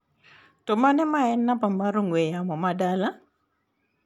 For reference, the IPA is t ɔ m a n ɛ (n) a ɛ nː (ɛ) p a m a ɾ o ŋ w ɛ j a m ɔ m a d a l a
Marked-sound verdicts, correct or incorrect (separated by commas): incorrect, incorrect